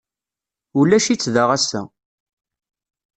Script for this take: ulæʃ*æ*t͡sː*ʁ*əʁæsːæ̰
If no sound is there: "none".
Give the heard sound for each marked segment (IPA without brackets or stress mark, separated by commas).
i, ð